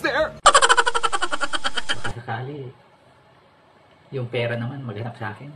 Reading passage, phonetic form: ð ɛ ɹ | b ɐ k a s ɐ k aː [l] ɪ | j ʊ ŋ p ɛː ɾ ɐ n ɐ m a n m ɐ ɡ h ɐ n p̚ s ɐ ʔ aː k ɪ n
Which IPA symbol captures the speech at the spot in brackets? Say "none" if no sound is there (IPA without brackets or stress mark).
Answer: l